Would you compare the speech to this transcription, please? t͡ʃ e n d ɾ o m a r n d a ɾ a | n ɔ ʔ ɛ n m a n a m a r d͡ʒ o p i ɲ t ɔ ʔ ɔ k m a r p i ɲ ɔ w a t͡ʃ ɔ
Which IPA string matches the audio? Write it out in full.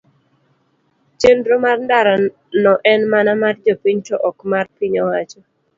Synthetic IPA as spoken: t͡ʃ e n d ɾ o m a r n d a ɾ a | n ɔ ʔ ɛ n m a n a m a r d͡ʒ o p i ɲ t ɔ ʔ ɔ k m a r p i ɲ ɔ w a t͡ʃ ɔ